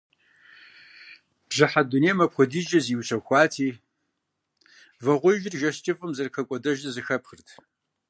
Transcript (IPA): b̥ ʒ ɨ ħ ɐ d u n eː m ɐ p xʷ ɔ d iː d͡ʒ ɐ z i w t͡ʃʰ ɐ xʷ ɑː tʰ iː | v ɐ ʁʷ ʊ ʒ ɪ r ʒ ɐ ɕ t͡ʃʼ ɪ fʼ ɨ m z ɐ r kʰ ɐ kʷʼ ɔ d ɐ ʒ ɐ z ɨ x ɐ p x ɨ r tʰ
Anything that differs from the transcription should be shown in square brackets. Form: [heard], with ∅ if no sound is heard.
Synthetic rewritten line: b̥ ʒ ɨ ħ [a] d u n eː m ɐ p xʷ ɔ d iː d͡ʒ ɐ z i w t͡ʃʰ ɐ xʷ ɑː tʰ iː | v ɐ ʁʷ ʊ ʒ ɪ r ʒ ɐ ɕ t͡ʃʼ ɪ fʼ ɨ m z ɐ r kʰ ɐ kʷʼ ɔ d ɐ ʒ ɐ z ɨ x ɐ p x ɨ r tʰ

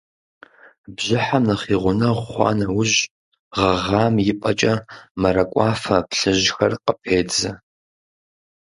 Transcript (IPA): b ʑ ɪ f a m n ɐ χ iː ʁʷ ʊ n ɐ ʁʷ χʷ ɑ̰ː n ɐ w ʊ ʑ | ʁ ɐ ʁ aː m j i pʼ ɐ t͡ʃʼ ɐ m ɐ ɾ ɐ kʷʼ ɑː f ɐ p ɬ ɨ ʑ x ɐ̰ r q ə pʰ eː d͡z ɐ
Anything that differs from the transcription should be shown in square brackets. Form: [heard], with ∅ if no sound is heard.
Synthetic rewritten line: b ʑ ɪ [ħ] a m n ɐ χ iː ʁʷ ʊ n ɐ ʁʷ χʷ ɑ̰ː n ɐ w ʊ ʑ | ʁ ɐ ʁ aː m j [ɪ] pʼ ɐ t͡ʃʼ ɐ m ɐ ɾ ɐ kʷʼ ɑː f ɐ p ɬ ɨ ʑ x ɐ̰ r q ə pʰ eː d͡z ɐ

